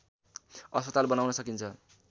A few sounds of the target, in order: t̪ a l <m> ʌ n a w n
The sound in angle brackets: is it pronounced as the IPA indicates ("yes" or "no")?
no